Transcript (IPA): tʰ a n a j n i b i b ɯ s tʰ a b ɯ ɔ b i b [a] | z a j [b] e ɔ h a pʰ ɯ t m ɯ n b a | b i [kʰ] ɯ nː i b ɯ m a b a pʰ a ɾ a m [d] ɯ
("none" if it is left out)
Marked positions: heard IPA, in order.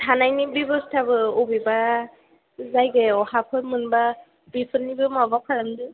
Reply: a, ɡ, pʰ, d

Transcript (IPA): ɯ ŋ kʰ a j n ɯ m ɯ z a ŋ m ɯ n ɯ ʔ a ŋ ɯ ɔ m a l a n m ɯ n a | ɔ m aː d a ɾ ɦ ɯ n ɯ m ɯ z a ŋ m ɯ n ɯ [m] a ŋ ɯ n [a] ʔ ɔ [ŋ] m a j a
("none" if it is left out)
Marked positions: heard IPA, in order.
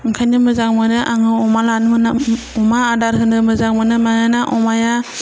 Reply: m, a, none

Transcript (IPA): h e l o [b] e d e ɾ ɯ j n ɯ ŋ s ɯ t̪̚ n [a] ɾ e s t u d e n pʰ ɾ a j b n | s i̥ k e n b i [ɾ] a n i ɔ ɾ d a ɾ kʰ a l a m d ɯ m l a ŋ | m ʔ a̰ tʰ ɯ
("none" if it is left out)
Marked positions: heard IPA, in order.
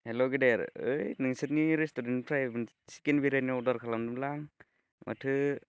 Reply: ɡ, i, ɾ

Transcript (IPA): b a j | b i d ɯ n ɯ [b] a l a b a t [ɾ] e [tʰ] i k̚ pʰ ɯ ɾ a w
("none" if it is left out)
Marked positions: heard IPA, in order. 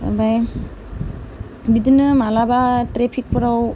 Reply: m, ɾ, pʰ

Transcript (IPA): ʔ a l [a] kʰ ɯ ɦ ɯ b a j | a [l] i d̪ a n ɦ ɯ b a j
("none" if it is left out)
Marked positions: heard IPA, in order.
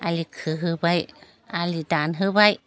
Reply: i, l

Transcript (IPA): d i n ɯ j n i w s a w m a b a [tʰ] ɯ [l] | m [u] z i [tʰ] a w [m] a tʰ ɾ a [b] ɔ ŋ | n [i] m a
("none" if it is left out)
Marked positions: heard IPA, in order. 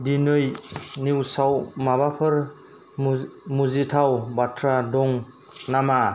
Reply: pʰ, ɾ, u, tʰ, b, d, a

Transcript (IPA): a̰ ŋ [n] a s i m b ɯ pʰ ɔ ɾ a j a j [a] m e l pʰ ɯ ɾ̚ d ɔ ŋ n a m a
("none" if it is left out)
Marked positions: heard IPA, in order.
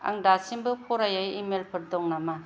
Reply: d, i

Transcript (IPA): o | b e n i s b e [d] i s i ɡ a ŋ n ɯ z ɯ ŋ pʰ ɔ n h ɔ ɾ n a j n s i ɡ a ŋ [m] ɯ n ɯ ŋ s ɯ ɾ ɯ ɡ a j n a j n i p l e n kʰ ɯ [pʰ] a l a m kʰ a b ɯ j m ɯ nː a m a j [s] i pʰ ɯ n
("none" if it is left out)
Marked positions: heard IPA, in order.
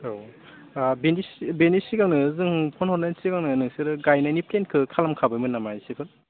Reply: n, n, kʰ, s

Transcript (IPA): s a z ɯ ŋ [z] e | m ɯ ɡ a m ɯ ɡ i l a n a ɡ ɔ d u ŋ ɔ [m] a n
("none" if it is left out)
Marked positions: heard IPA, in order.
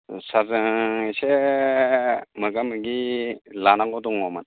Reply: s, m

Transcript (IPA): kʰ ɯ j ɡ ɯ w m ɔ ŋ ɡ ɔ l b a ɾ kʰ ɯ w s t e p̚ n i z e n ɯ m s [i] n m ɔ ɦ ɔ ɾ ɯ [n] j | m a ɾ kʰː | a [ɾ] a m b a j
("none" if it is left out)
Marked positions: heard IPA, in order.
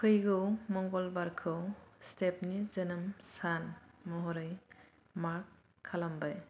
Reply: a, none, l

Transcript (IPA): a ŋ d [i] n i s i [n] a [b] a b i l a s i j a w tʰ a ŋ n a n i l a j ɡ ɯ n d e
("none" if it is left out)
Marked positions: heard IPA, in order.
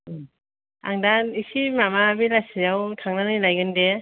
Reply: a, m, m

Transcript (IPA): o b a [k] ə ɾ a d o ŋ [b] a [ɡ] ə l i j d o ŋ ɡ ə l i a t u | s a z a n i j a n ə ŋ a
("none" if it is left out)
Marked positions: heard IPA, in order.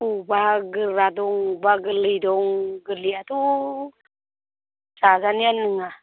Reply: ɡ, b, ɡ

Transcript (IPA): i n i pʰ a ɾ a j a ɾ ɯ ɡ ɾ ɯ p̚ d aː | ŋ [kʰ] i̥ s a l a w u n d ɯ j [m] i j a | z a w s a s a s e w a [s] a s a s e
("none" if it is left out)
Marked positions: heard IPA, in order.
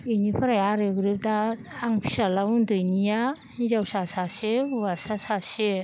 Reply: pʰ, n, s

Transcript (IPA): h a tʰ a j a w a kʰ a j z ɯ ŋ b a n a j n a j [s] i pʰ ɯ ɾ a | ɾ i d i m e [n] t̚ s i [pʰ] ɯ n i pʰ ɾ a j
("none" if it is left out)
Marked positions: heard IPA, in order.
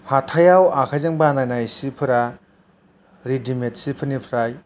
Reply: s, none, pʰ

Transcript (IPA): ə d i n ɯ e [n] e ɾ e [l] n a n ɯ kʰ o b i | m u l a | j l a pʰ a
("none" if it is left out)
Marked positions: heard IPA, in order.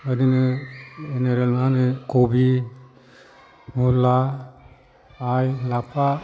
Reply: n, l

